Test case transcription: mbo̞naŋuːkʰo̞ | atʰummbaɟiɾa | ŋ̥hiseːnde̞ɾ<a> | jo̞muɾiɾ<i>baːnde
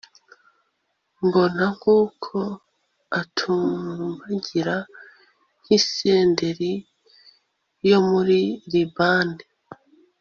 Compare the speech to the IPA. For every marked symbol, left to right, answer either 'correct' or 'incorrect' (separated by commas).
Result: incorrect, correct